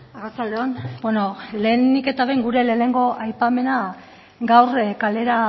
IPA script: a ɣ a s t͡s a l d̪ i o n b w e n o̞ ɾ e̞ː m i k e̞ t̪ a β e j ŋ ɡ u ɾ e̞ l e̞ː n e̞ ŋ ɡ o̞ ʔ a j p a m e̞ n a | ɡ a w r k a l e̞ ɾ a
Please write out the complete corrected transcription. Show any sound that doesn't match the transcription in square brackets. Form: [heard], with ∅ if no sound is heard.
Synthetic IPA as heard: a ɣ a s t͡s a l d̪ [e] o n b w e n o̞ [l] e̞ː [n] i k e̞ t̪ a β e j ŋ ɡ u ɾ e̞ l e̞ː n e̞ ŋ ɡ o̞ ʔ a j p a m e̞ n a | ɡ a w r k a l e̞ ɾ a